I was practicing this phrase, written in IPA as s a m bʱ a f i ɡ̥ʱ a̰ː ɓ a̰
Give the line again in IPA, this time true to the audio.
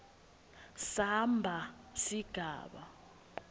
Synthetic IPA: s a m bʱ a s i ɡ̥ʱ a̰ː ɓ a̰